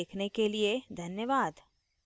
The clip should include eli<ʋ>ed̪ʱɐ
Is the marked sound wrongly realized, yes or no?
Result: yes